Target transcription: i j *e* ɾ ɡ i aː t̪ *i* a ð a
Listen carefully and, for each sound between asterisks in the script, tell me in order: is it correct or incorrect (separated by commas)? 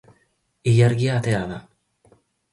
incorrect, incorrect